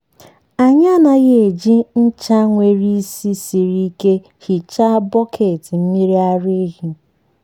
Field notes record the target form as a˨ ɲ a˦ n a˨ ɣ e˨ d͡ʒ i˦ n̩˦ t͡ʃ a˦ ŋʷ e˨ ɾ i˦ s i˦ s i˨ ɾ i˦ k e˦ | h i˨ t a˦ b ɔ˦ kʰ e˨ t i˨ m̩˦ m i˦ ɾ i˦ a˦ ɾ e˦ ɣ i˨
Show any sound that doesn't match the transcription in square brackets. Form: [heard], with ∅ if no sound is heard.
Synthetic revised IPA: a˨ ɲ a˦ n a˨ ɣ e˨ d͡ʒ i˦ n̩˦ t͡ʃ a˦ ŋʷ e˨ ɾ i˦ s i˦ s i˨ ɾ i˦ k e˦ | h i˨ [t͡ʃ] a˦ b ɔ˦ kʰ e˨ t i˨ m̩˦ m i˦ ɾ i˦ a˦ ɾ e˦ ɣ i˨

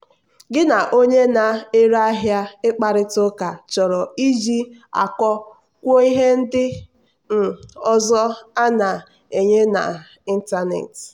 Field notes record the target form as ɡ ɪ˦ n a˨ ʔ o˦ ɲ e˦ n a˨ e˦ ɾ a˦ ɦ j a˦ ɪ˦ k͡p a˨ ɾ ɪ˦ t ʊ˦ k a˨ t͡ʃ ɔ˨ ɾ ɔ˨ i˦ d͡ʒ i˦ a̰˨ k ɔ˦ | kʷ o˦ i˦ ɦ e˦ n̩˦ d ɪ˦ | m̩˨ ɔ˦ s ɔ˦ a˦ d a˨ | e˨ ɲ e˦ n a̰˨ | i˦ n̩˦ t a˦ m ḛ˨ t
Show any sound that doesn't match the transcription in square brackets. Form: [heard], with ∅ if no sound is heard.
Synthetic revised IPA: ɡ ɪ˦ n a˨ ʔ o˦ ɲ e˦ n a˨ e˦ ɾ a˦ ɦ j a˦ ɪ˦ k͡p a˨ ɾ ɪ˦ t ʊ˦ k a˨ t͡ʃ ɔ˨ ɾ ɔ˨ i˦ d͡ʒ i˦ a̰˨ k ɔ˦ | kʷ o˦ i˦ ɦ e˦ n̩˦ d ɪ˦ | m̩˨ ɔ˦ [z] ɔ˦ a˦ [n] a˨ | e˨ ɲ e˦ n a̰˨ | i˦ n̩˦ t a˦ [n] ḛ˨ t

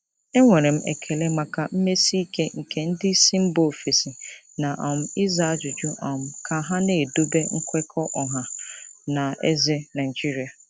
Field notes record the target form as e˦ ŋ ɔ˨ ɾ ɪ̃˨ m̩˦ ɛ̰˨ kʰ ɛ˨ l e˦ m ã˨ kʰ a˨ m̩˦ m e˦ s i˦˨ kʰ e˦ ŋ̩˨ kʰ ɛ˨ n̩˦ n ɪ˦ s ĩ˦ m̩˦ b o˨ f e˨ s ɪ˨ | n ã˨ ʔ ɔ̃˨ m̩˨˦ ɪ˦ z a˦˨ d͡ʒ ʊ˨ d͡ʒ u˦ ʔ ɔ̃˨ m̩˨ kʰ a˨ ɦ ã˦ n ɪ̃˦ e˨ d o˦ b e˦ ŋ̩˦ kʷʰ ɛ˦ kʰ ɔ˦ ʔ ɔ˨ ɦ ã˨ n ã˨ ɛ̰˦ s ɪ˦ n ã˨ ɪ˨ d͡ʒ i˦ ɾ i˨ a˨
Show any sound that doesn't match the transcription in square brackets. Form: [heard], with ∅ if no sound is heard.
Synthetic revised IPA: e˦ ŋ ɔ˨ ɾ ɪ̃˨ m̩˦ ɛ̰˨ kʰ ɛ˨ l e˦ m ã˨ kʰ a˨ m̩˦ m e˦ s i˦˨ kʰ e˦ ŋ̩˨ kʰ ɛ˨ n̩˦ [d] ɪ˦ s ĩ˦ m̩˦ b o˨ f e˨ s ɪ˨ | n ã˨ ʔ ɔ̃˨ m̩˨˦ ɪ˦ z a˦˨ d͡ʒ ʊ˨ d͡ʒ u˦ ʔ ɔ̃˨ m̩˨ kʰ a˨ ɦ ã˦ n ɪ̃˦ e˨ d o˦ b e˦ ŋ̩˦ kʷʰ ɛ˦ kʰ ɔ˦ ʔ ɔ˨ ɦ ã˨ n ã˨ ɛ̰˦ [z] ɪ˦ n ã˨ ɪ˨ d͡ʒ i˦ ɾ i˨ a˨

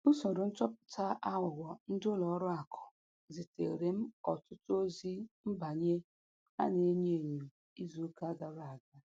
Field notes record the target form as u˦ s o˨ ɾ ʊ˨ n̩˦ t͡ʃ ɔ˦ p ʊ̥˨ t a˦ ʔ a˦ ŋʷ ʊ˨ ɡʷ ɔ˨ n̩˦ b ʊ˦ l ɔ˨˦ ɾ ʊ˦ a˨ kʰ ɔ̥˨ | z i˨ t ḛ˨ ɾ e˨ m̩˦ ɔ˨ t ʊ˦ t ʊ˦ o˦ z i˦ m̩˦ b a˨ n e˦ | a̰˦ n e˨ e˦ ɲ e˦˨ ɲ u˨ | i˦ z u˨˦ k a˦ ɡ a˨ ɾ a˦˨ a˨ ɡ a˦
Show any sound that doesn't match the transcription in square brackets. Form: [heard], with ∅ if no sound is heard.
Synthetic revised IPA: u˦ s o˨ ɾ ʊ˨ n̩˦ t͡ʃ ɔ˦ p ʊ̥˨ t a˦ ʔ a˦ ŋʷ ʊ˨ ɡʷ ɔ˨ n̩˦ [d] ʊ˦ l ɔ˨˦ ɾ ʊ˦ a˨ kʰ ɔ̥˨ | z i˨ t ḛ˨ ɾ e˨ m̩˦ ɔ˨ t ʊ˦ t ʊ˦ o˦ z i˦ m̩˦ b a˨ [ɲ] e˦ | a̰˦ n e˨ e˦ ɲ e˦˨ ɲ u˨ | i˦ z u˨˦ k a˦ ɡ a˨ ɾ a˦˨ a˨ ɡ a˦

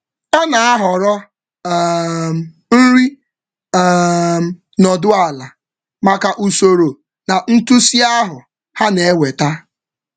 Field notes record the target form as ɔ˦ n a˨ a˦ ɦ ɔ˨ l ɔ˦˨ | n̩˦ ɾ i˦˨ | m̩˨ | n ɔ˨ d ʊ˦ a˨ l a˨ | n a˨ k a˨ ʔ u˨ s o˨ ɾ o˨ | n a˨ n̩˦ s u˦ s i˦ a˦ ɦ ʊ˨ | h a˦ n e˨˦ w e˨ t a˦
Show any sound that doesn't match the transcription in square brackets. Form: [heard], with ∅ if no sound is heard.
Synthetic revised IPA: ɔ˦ n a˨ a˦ ɦ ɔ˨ [ɾ] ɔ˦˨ | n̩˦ ɾ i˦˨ | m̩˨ | n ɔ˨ d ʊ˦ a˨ l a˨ | [m] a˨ k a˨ ʔ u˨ s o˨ ɾ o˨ | n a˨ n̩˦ [t] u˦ s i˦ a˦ ɦ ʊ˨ | h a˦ n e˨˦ w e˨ t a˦

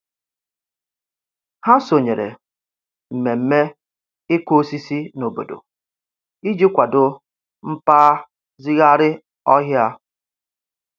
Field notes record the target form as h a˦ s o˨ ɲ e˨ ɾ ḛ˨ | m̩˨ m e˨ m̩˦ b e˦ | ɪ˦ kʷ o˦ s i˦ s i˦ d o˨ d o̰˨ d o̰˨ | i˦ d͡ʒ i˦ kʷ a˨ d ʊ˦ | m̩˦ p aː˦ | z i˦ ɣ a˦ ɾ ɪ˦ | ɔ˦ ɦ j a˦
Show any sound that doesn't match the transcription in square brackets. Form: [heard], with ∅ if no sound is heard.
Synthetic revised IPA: h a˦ s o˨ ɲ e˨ ɾ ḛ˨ | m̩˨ m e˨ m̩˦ [m] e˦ | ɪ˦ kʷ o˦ s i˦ s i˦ [n] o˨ [b] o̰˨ d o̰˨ | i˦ d͡ʒ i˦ kʷ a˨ d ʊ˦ | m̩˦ p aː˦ | z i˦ ɣ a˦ ɾ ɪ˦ | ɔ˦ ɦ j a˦

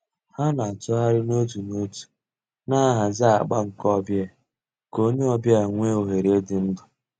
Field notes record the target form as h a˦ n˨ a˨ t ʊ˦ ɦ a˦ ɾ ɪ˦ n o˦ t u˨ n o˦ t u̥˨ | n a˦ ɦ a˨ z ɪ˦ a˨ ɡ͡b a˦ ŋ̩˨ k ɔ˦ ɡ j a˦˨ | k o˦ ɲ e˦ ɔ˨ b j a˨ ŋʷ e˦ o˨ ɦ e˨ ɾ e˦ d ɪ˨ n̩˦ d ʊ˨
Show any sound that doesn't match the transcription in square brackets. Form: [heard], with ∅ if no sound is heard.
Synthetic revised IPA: h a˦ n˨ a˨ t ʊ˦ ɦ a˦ ɾ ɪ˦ n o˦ t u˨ n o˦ t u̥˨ | n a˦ ɦ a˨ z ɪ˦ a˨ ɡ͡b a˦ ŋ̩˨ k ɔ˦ [b] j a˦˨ | k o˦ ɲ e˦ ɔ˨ b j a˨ ŋʷ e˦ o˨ ɦ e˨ ɾ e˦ d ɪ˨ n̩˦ d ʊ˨

